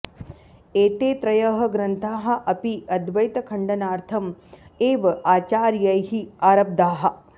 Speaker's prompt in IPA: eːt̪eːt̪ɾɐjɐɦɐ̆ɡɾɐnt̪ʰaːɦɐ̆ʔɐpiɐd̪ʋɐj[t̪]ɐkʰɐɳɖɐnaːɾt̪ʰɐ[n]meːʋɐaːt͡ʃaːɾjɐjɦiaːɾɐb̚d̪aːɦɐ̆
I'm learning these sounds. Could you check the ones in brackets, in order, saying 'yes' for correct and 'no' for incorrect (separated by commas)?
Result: yes, no